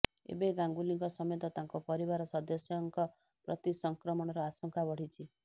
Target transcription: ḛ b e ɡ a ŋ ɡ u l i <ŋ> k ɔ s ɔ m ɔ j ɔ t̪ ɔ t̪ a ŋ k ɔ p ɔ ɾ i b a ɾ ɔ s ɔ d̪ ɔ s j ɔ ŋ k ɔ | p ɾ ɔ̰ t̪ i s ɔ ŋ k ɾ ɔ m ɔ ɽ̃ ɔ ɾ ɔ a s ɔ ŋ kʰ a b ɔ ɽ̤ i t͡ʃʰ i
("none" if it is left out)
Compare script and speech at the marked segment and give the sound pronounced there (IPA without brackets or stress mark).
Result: ŋ